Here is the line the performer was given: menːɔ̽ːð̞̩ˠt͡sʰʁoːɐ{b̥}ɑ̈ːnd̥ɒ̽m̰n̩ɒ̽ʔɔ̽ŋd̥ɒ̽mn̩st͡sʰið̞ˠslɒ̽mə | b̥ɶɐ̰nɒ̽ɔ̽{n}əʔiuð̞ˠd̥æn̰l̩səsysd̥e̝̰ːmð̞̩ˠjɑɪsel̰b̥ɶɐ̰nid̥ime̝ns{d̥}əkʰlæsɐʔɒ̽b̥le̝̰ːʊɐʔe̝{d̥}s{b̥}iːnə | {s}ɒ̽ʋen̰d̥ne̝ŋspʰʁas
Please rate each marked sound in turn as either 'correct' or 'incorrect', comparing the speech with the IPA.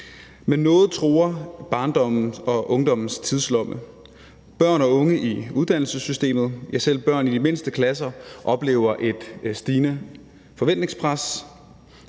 correct, incorrect: ŋ, correct, correct, incorrect: d̥, incorrect: f

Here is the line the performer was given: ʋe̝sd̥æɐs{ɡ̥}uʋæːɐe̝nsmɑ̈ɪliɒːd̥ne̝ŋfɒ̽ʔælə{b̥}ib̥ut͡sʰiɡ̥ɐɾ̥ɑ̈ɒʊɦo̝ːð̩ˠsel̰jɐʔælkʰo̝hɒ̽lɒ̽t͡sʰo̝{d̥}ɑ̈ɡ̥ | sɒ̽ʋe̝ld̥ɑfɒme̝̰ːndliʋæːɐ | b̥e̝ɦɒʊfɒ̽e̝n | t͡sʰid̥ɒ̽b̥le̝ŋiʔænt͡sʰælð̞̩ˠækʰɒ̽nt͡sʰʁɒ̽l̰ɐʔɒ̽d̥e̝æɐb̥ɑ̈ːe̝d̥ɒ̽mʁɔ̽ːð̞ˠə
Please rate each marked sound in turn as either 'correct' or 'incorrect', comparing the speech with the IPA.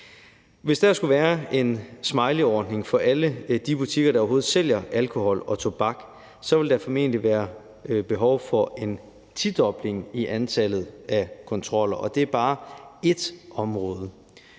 correct, incorrect: d̥, incorrect: b̥

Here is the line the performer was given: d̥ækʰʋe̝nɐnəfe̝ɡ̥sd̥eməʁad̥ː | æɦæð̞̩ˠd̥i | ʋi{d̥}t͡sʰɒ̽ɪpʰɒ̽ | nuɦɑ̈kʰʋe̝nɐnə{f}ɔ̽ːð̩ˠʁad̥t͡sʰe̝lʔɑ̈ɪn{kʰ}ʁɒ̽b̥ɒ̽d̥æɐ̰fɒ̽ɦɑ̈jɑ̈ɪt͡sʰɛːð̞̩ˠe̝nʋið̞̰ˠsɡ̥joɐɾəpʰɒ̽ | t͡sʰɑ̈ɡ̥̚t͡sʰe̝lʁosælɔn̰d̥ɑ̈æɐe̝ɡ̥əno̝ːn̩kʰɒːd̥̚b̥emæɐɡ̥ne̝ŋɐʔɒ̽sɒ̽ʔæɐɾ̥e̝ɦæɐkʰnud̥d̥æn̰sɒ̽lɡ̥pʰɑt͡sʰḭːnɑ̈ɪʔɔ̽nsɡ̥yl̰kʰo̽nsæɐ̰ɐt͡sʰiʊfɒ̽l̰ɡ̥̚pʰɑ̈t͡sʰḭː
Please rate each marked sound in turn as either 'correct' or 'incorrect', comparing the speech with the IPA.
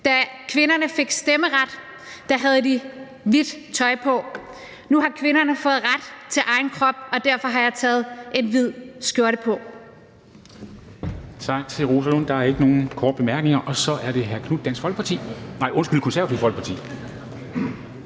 correct, correct, correct

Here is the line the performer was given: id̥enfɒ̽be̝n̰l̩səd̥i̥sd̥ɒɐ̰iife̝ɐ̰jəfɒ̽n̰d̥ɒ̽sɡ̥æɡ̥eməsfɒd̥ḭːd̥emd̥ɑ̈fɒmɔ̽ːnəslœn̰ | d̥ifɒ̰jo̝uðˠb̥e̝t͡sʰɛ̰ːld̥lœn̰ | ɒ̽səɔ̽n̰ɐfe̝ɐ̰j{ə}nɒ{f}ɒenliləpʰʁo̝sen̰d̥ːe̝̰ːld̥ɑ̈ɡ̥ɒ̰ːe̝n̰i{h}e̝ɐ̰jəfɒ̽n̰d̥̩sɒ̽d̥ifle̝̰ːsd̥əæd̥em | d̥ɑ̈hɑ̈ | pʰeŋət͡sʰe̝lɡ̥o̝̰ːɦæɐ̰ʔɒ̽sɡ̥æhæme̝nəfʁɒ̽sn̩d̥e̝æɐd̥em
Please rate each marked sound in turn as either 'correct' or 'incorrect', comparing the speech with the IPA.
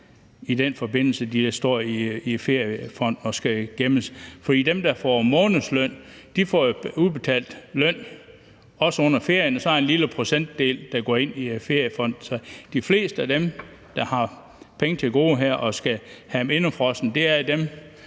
correct, incorrect: s, incorrect: f

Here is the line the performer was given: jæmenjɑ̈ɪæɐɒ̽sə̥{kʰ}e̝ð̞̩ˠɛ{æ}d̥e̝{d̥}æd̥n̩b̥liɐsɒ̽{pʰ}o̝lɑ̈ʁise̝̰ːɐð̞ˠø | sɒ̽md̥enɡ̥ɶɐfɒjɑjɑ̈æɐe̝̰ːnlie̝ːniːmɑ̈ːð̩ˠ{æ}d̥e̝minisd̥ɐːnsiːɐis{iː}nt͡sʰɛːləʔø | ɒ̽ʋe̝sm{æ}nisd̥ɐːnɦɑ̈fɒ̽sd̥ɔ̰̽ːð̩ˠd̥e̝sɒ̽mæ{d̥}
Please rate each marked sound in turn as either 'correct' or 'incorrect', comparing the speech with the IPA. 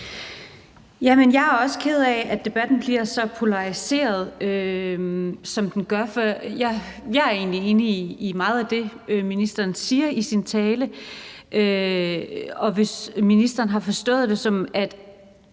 correct, correct, incorrect: b̥, correct, correct, incorrect: i, incorrect: i, correct

